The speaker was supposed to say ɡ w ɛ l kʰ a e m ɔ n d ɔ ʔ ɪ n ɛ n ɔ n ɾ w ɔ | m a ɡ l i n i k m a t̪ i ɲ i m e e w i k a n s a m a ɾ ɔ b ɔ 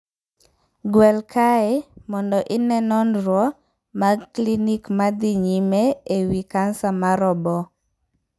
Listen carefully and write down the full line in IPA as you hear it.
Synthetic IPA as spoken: ɡ w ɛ l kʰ a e m ɔ n d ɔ ʔ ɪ n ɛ n ɔ n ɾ w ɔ | m a k l i n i k m a d̪ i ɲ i m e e w i k a n s a m a ɾ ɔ b ɔ